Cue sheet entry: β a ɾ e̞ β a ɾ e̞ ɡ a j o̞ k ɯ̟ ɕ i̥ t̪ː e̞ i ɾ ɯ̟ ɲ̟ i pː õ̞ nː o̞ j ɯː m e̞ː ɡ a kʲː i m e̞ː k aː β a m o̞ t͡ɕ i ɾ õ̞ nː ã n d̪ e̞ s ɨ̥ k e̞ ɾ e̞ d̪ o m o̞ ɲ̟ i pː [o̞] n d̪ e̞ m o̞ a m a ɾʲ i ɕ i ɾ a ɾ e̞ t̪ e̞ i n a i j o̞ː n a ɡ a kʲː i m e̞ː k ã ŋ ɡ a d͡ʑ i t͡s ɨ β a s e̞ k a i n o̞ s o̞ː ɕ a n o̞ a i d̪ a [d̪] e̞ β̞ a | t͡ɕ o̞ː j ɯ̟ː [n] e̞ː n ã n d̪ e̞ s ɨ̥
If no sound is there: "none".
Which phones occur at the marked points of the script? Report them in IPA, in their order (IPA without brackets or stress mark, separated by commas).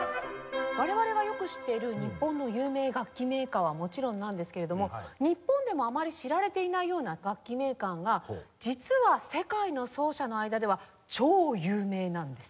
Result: õ̞, d̪, m